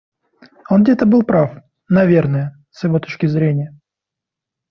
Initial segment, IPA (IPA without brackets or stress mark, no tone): o